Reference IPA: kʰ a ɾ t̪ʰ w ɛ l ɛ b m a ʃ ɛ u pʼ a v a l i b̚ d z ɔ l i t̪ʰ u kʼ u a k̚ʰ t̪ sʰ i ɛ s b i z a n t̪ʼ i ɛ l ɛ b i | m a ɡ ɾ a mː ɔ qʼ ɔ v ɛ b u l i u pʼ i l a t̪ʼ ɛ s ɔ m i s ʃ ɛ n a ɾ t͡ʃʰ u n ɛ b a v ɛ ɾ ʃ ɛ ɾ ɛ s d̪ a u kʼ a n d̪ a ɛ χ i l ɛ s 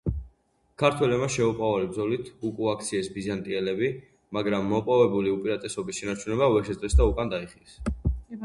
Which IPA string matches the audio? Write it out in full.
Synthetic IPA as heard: kʰ a ɾ t̪ʰ w ɛ l ɛ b m a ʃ ɛ u pʼ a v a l i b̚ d z ɔ l i t̪ʰ u kʼ u a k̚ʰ t̪ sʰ i ɛ s b i z a n t̪ʼ i ɛ l ɛ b i | m a ɡ ɾ a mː ɔ pʼ ɔ v ɛ b u l i u pʼ i ɾ a t̪ʼ ɛ s ɔ b i s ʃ ɛ n a ɾ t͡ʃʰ u n ɛ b a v ɛ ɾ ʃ ɛ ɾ ɛ s d̪ a u kʼ a n d̪ a i χ i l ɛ s

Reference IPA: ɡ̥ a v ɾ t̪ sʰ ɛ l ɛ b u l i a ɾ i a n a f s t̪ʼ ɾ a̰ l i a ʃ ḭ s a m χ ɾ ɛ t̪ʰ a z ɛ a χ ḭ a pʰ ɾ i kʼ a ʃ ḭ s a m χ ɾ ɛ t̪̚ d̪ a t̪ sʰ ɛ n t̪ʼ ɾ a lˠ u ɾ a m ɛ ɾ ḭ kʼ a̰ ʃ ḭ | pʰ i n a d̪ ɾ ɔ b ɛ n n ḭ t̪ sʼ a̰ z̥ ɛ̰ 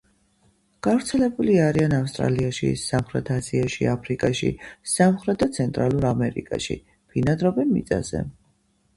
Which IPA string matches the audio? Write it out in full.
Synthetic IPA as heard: ɡ̥ a v ɾ t̪ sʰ ɛ l ɛ b u l i a ɾ i a n a f s t̪ʼ ɾ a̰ l i a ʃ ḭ s a m χ ɾ ɛ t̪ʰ a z i a ʃ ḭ a pʰ ɾ i kʼ a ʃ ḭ s a m χ ɾ ɛ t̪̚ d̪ a t̪ sʰ ɛ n t̪ʼ ɾ a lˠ u ɾ a m ɛ ɾ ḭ kʼ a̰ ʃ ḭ | pʰ i n a d̪ ɾ ɔ b ɛ n m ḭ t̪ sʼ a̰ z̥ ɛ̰

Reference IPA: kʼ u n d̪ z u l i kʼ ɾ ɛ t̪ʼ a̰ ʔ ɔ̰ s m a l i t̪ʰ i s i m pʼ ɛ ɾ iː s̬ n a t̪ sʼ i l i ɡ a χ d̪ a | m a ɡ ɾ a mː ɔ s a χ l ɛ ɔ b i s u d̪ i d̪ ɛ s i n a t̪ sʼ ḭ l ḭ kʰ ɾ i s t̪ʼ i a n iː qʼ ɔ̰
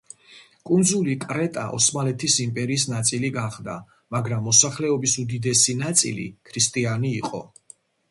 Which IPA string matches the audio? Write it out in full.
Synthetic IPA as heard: kʼ u n d̪ z u l i kʼ ɾ ɛ t̪ʼ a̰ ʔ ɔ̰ s m a l ɛ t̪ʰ i s i m pʼ ɛ ɾ iː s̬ n a t̪ sʼ i l i ɡ a χ d̪ a | m a ɡ ɾ a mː ɔ s a χ l ɛ ɔ b i s u d̪ i d̪ ɛ s i n a t̪ sʼ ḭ l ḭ kʰ ɾ i s t̪ʼ i a n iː qʼ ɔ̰

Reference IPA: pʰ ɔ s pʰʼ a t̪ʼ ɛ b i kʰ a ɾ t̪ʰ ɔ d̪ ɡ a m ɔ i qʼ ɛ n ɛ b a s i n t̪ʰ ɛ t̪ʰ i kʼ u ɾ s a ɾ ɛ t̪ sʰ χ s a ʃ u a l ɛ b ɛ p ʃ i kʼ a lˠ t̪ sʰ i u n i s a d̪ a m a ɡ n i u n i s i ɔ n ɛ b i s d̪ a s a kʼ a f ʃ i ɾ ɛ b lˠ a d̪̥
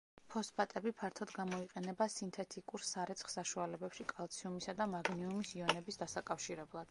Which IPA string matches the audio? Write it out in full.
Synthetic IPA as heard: pʰ ɔ s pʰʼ a t̪ʼ ɛ b i pʰ a ɾ t̪ʰ ɔ d̪ ɡ a m ɔ i qʼ ɛ n ɛ b a s i n t̪ʰ ɛ t̪ʰ i kʼ u ɾ s a ɾ ɛ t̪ sʰ χ s a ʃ u a l ɛ b ɛ p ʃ i kʼ a lˠ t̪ sʰ i u m i s a d̪ a m a ɡ n i u m i s i ɔ n ɛ b i s d̪ a s a kʼ a f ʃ i ɾ ɛ b lˠ a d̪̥

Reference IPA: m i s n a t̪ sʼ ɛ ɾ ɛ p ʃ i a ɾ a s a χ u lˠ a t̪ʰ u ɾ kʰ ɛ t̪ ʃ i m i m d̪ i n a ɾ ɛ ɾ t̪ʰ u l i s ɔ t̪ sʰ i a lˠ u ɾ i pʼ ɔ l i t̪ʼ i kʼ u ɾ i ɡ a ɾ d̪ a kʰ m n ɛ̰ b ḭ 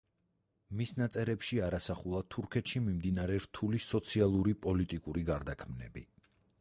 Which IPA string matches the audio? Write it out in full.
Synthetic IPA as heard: m i s n a t̪ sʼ ɛ ɾ ɛ p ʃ i a ɾ a s a χ u lˠ a t̪ʰ u ɾ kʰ ɛ t̪ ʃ i m i m d̪ i n a ɾ ɛ ɾ t̪ʰ u l i s ɔ t̪ sʰ i a lˠ u ɾ i pʼ ɔ l i t̪ʼ i kʼ u ɾ i ɡ a ɾ d̪ a kʰ m n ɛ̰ b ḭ

